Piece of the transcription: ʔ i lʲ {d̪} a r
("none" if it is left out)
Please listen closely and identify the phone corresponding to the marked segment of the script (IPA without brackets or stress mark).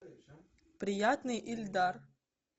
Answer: d̪